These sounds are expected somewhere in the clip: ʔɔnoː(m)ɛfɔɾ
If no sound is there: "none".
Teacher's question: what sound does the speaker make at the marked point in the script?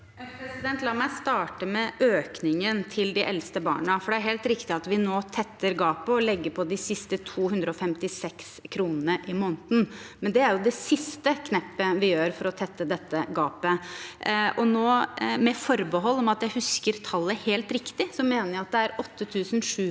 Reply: m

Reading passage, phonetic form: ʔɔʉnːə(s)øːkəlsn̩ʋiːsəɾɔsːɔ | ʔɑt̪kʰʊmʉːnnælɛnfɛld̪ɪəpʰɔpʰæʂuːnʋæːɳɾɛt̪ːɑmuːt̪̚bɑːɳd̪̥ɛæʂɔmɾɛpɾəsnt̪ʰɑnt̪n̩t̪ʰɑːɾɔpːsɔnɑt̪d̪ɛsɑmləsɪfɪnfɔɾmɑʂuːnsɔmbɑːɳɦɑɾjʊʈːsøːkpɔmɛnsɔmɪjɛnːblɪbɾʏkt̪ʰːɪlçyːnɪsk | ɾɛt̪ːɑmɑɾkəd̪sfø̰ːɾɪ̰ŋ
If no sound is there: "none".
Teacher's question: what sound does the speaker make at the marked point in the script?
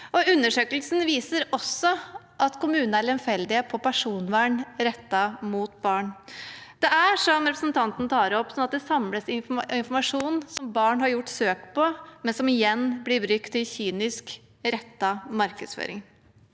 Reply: ʂ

